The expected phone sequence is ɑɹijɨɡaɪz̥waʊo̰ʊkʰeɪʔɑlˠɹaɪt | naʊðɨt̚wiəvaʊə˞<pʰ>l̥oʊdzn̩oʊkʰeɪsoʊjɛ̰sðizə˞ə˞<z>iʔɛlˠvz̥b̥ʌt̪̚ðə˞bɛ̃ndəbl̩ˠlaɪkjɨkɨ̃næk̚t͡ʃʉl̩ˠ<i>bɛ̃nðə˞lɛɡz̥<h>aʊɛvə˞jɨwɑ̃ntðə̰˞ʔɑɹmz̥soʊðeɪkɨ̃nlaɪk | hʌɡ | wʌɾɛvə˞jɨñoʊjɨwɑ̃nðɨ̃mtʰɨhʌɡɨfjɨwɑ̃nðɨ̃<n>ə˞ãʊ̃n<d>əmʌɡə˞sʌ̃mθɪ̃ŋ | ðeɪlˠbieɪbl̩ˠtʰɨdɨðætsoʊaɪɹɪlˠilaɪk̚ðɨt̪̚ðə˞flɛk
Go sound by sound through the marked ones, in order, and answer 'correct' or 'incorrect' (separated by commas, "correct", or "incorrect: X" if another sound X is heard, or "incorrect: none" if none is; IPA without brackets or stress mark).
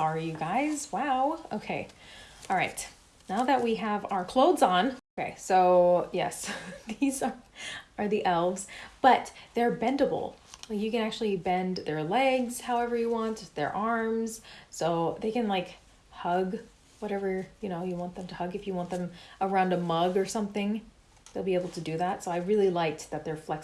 incorrect: kʰ, incorrect: ð, correct, correct, incorrect: m, correct